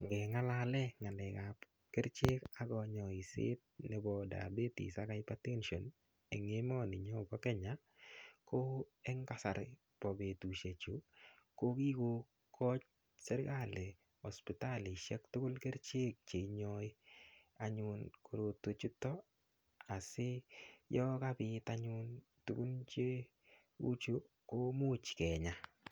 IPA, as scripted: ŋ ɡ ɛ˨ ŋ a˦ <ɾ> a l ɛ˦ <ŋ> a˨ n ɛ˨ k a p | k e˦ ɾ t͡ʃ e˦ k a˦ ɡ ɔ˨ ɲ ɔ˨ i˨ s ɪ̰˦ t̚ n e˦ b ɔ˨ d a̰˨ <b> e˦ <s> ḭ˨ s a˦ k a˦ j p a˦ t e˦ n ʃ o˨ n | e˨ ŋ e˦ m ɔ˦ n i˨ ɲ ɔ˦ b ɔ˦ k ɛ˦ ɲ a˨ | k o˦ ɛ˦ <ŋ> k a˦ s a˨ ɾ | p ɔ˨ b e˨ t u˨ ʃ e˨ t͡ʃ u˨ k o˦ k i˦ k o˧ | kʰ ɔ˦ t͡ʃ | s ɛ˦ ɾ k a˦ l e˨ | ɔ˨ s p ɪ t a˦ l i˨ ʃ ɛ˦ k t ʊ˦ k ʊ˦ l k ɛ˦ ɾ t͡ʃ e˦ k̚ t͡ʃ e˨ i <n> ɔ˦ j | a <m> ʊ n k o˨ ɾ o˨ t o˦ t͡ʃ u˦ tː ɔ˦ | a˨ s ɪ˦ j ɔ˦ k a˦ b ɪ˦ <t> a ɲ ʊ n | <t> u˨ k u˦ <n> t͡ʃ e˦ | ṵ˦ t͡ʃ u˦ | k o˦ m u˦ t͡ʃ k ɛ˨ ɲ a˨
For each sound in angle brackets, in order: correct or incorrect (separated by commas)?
incorrect, correct, correct, incorrect, correct, incorrect, incorrect, correct, correct, correct